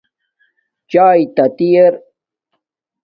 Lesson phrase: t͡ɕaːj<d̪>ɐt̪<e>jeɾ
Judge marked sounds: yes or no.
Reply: no, no

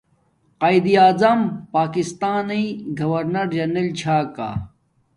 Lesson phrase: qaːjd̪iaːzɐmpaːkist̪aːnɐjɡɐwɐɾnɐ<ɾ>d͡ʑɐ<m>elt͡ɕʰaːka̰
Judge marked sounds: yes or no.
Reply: yes, no

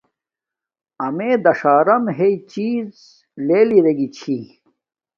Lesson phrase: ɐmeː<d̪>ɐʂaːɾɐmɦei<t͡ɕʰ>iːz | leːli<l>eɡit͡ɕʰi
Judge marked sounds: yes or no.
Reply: yes, no, no

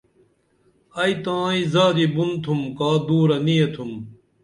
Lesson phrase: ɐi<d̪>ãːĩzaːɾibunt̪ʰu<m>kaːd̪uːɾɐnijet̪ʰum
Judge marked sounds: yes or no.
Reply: no, yes

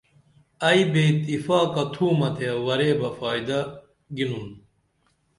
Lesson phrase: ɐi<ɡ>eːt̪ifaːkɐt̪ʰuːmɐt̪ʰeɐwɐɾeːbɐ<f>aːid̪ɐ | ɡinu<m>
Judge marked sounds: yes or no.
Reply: no, yes, no

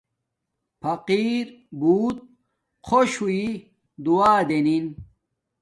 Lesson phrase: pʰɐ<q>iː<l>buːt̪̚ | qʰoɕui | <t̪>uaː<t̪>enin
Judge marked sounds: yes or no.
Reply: yes, no, no, no

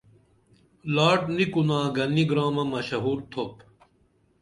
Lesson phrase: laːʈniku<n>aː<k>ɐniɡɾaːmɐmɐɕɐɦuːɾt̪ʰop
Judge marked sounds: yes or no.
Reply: yes, no

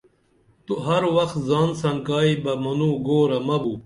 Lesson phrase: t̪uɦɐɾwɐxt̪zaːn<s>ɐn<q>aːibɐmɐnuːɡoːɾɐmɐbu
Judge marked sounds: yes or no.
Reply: yes, no

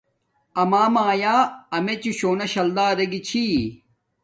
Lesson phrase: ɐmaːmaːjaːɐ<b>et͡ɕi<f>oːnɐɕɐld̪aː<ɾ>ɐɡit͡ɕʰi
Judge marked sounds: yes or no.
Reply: no, no, yes

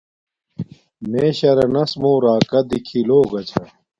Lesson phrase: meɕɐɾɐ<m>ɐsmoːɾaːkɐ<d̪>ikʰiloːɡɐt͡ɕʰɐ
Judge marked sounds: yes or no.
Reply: no, yes

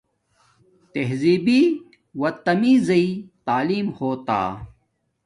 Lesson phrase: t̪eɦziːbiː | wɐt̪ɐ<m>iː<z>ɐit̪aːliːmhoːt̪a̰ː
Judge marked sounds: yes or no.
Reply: yes, yes

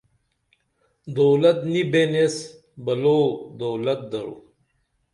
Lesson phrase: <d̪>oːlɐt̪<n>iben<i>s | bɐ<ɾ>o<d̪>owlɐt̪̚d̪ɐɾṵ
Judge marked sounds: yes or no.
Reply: yes, yes, no, no, yes

